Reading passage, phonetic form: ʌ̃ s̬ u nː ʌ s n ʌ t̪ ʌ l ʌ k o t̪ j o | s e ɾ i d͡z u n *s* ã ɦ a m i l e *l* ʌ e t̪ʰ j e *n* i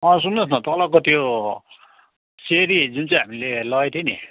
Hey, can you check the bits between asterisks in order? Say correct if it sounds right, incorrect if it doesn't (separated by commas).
incorrect, correct, correct